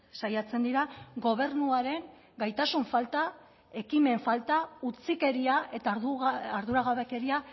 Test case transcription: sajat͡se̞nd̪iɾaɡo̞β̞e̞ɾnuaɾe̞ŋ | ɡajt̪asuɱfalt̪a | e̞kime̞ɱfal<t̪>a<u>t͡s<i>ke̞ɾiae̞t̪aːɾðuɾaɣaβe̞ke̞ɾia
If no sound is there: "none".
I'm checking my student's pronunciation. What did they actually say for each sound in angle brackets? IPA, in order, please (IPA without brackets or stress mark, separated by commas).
t̪, u, i